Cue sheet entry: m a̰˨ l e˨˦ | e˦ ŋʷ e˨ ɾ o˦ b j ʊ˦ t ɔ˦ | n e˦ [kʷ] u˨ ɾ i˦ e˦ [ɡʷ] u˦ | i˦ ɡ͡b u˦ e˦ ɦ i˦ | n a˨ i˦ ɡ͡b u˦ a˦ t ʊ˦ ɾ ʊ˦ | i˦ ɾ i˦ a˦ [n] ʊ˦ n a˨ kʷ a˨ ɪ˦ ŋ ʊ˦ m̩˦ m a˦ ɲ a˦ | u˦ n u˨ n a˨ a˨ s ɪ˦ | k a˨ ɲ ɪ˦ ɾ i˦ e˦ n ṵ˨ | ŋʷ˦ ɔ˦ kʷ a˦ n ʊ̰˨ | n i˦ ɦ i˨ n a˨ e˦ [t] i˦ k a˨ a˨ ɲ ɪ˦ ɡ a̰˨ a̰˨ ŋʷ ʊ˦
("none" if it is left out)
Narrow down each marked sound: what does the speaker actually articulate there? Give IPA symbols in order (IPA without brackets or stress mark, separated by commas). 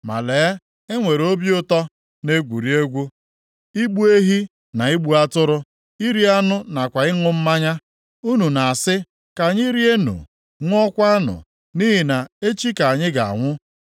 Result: ɡʷ, ɡʷ, n, t͡ʃ